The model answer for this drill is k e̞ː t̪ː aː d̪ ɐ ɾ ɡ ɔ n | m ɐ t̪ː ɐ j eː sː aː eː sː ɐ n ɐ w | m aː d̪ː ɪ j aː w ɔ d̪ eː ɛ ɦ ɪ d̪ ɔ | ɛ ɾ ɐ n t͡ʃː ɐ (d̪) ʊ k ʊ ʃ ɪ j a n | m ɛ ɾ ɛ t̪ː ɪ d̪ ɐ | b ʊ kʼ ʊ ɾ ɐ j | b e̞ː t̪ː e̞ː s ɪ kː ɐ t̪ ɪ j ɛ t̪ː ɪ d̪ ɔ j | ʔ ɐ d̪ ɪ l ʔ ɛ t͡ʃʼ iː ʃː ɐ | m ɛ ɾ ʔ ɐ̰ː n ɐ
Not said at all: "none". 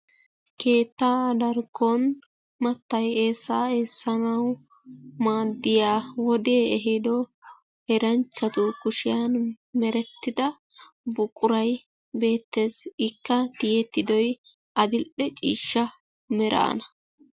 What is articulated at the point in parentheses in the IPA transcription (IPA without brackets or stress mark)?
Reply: t̪